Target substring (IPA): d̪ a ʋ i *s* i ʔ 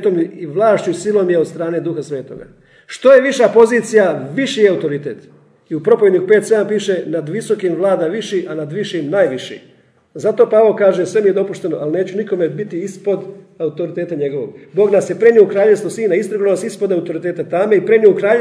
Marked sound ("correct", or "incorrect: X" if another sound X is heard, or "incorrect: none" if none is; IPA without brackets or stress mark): incorrect: ʃ